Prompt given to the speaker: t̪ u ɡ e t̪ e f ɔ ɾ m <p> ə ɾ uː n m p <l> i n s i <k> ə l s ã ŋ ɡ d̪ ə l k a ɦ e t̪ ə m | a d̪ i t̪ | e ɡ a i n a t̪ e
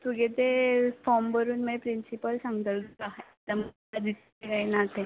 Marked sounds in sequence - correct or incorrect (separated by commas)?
incorrect, incorrect, incorrect